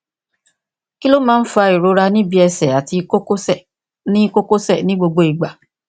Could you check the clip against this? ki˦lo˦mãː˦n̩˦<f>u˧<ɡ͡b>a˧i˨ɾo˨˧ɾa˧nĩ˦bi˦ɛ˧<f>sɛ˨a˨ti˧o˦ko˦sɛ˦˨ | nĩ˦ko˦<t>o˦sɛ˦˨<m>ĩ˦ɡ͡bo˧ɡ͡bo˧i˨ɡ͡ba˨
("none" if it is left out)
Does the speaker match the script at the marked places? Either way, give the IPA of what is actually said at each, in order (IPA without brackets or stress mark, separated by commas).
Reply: f, none, none, k, n